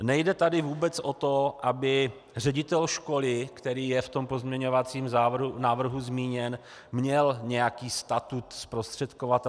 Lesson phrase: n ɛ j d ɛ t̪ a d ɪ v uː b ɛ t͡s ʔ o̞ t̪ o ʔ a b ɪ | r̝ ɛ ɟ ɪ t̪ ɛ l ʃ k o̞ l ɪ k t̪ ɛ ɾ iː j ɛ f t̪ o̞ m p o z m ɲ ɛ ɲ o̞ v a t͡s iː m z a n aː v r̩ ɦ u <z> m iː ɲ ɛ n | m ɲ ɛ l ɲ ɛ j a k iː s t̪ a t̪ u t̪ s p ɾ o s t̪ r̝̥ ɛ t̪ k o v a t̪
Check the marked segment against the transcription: correct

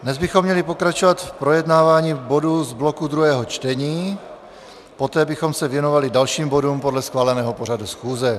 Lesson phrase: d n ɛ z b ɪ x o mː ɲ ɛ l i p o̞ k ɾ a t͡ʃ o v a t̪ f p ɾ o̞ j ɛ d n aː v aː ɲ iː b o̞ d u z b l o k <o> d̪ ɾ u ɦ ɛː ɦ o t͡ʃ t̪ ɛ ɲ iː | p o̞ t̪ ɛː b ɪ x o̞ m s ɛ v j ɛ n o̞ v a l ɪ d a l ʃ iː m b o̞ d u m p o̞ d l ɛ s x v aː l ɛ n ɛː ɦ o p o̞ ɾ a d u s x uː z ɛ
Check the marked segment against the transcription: incorrect: u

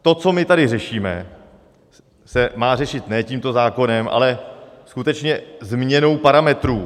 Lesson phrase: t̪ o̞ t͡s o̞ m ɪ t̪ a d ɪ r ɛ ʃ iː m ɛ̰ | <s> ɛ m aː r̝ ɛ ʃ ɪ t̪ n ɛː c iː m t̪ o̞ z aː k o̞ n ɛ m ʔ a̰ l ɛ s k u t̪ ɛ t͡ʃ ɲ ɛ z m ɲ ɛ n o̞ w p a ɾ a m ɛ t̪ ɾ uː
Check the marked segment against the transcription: correct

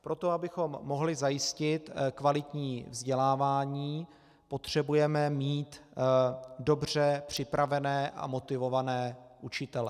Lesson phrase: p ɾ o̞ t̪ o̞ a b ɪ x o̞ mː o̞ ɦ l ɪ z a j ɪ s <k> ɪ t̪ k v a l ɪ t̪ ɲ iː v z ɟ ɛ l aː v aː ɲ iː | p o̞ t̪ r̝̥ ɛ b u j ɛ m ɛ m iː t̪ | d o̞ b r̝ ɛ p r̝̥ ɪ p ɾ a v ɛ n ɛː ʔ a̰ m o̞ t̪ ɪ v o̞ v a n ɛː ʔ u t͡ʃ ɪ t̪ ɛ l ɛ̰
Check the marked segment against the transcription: incorrect: c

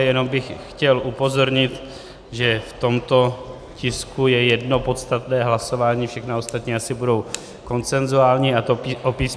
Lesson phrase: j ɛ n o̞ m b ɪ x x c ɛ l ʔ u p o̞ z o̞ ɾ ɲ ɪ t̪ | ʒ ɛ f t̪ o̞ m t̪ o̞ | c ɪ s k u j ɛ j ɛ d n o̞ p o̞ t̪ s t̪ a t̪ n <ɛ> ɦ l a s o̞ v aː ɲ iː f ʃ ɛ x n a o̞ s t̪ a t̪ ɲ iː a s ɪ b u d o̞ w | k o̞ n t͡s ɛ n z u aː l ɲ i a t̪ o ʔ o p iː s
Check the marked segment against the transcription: incorrect: ɛː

